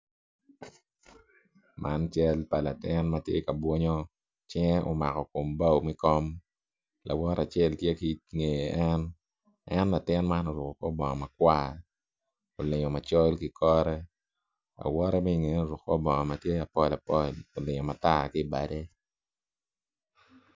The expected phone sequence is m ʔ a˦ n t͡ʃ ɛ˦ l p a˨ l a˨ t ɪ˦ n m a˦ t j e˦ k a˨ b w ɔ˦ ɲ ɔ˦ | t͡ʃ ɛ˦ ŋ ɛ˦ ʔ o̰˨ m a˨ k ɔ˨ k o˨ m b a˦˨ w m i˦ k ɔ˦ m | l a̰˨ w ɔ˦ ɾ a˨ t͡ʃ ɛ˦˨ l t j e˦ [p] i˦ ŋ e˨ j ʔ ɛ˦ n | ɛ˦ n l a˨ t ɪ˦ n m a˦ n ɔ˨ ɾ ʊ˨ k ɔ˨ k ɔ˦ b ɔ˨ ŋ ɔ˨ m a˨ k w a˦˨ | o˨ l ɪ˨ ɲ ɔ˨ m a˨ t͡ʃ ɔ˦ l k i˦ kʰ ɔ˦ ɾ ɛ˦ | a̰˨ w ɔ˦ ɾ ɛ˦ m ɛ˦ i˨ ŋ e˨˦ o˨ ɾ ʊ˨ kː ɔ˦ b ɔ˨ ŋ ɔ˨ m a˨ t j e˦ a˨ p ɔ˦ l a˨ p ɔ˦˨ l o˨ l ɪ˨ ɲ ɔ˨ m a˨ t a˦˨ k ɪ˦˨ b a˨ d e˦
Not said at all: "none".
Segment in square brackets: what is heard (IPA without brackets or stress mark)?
k